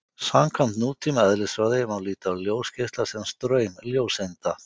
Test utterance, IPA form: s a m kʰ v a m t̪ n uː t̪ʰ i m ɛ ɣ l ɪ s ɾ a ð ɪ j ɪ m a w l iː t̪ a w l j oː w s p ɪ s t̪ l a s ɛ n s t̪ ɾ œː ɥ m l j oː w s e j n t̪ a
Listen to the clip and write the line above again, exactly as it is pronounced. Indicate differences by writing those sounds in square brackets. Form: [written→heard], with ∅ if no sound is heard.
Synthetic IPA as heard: s a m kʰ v a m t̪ n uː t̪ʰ i m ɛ [ɣ→ð] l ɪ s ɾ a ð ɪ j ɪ m a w l iː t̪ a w l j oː w s [p→c] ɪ s t̪ l a s ɛ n s t̪ ɾ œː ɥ m l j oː w s e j n t̪ a